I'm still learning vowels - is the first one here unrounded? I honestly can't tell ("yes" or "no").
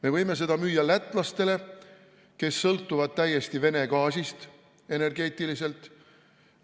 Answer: yes